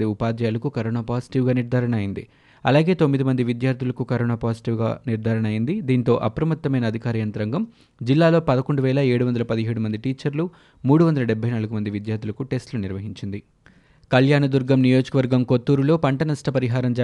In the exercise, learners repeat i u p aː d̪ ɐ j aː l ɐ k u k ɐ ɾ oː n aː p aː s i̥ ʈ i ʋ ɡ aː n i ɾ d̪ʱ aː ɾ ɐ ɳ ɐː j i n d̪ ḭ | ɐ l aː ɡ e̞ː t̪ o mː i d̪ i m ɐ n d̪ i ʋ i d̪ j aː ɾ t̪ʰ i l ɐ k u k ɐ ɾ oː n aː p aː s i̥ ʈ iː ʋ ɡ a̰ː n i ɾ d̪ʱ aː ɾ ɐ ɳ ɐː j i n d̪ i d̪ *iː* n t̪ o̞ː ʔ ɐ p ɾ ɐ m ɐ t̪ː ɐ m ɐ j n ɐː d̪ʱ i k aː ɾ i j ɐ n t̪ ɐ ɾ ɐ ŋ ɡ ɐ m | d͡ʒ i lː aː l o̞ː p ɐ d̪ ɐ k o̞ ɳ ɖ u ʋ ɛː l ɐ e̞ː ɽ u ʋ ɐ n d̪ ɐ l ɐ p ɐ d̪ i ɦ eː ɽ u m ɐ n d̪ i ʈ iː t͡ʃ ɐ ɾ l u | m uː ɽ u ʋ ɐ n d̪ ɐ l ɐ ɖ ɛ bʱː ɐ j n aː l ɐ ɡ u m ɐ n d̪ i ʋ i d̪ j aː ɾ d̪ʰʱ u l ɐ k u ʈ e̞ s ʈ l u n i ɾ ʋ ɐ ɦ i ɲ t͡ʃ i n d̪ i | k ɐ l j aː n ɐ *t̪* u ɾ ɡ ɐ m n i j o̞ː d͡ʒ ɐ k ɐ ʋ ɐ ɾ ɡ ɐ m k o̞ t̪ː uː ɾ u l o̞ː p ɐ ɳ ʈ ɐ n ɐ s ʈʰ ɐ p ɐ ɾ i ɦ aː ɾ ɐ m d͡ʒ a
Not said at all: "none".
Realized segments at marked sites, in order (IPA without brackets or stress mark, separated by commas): iː, d̪